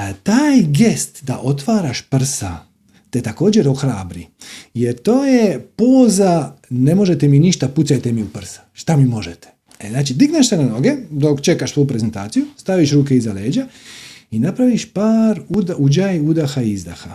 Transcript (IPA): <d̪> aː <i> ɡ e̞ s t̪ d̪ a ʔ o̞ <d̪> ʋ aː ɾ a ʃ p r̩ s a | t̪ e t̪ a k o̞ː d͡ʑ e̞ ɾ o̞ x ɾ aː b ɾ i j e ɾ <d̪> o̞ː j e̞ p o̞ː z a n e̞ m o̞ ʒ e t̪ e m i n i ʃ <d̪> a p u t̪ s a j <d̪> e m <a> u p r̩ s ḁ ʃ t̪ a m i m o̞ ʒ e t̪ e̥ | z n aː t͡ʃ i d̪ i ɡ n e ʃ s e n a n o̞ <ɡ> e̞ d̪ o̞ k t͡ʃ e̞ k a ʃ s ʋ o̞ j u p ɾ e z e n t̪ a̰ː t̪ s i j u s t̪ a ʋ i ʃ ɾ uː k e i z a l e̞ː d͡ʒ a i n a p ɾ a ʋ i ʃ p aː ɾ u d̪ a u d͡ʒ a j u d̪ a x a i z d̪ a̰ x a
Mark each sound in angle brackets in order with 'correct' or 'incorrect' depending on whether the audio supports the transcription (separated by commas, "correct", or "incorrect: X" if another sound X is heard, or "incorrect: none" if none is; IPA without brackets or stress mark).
incorrect: t̪, incorrect: j, incorrect: t̪, incorrect: t̪, incorrect: t̪, incorrect: t̪, incorrect: i, correct